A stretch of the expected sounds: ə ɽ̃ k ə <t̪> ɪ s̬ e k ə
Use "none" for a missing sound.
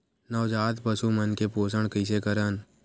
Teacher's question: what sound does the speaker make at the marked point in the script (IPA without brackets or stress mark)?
none